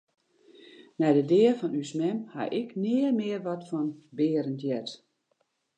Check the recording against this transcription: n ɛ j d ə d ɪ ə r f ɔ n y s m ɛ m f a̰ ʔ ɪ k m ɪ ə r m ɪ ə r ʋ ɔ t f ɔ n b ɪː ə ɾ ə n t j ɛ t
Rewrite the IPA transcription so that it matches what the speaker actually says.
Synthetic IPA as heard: n ɛ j d ə d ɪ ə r f ɔ n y s m ɛ m h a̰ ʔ ɪ k n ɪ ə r m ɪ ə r ʋ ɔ t f ɔ n b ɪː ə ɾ ə n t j ɛ t

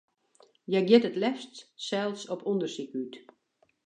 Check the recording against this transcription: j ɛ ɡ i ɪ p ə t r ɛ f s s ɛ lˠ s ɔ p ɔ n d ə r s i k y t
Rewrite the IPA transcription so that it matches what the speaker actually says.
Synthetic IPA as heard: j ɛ ɡ j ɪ t ə t l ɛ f t s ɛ lˠ s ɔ p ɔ n d ə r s i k y t

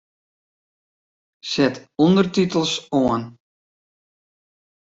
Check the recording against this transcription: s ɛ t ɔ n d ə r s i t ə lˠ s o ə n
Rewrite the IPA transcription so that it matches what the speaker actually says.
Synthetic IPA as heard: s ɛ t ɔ n d ə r t i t ə lˠ s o ə n

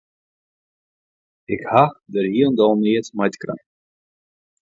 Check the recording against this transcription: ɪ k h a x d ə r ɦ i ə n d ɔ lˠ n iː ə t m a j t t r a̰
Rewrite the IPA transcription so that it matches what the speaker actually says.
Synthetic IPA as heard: ɪ k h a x d ə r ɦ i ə n d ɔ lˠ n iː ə t m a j t k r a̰

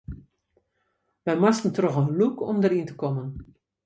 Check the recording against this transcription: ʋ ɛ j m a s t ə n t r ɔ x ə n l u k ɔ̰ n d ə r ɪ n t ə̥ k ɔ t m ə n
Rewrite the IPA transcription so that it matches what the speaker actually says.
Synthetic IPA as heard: ʋ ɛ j m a s t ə n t r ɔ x ə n l u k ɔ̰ m d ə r i n t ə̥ k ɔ m ə n

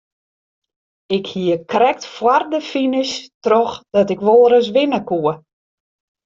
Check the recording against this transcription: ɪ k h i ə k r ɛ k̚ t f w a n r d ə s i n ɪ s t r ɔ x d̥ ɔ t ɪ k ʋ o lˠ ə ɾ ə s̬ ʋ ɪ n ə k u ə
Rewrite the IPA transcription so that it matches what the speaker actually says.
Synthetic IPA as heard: ɪ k h i ə k r ɛ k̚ t f w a r d ə f i n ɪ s t r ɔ x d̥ ɔ t ɪ k ʋ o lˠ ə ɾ ə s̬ ʋ ɪ n ə k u ə

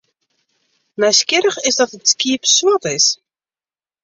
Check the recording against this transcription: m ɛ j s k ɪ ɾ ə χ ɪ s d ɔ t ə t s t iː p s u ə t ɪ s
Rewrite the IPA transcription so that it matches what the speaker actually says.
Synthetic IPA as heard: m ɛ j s k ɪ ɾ ə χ ɪ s d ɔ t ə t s k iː p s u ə t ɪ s

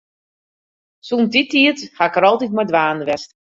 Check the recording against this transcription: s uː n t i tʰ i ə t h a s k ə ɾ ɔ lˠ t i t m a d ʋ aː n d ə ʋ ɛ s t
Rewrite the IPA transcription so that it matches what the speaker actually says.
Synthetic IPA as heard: s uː n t i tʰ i ə t h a k ə ɾ ɔ lˠ t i t m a d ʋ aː n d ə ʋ ɛ s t

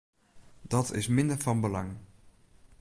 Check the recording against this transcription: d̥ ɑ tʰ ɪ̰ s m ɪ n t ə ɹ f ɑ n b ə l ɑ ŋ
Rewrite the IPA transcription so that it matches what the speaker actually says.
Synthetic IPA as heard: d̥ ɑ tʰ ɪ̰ s m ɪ n d ə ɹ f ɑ n b ə l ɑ ŋ

